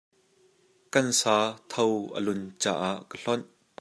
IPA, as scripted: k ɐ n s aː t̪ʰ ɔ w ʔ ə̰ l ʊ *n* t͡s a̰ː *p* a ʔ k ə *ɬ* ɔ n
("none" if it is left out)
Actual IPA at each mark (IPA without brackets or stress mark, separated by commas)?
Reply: n, ʔ, ɬ